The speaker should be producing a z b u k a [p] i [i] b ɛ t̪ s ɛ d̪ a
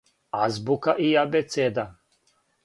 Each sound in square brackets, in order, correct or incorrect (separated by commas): incorrect, incorrect